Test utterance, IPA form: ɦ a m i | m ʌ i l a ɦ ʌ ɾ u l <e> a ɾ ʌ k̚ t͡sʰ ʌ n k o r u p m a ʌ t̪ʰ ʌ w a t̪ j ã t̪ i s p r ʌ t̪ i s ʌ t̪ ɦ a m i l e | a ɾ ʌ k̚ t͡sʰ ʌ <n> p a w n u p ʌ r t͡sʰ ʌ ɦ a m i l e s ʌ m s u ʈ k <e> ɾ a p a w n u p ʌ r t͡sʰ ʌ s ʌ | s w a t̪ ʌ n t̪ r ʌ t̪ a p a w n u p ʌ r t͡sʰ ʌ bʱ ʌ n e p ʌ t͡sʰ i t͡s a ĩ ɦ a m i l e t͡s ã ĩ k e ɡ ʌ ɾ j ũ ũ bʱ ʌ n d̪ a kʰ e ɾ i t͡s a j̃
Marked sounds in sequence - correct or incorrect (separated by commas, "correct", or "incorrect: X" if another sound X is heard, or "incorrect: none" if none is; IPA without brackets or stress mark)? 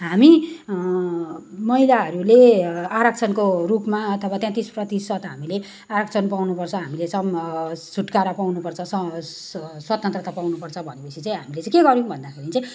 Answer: correct, correct, incorrect: a